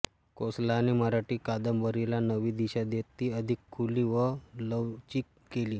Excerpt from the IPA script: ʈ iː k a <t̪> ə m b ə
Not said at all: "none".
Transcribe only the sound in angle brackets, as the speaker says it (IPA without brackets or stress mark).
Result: d̪